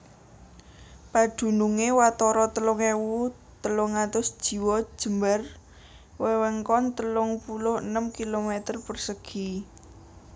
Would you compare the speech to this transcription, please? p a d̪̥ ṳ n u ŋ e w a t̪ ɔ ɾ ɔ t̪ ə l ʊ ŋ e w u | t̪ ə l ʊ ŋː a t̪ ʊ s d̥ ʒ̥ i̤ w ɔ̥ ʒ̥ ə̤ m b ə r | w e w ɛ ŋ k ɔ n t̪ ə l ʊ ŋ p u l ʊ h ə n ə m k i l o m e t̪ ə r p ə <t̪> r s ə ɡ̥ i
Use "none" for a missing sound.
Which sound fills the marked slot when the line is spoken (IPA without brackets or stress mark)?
none